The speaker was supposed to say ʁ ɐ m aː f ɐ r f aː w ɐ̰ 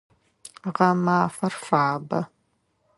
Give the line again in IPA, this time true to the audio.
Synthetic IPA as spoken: ʁ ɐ m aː f ɐ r f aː b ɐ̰